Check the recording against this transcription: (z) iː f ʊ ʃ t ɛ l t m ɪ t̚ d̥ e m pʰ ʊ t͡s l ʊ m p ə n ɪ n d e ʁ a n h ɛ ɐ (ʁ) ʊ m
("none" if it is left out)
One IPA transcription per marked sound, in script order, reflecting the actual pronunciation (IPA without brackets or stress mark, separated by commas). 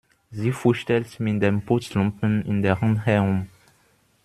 z, ʁ